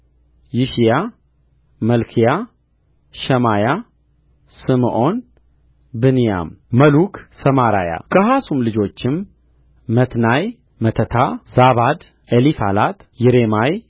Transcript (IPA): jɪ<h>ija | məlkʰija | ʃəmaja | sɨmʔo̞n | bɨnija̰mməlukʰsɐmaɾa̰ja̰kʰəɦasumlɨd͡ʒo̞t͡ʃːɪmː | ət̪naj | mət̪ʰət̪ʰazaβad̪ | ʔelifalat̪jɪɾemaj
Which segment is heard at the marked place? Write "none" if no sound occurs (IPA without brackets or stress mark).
ʃ